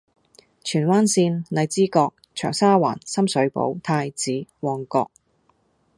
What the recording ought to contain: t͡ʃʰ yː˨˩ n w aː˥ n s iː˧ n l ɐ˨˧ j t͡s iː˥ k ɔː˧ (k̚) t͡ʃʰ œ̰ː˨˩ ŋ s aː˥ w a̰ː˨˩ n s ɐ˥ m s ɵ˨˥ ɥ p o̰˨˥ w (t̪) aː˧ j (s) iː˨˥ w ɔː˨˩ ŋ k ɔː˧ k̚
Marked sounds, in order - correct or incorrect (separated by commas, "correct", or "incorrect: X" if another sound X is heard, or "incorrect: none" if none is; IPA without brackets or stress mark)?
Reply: correct, incorrect: t̪ʰ, incorrect: t͡s